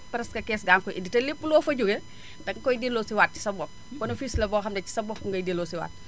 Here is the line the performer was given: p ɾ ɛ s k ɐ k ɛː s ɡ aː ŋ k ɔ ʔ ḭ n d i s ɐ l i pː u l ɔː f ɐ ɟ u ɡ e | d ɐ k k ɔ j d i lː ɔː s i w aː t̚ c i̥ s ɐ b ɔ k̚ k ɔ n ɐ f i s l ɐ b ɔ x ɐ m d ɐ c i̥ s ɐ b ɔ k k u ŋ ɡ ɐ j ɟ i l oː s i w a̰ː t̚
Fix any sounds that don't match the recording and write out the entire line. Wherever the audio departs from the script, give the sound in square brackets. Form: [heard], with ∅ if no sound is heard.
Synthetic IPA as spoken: p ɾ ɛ s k ɐ k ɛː s ɡ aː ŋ k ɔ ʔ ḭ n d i [t] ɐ l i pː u l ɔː f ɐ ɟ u ɡ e | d ɐ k k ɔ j d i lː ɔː s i w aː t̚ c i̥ s ɐ b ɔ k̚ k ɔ n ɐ f i s l ɐ b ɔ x ɐ m d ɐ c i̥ s ɐ b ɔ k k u ŋ ɡ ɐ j [d] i l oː s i w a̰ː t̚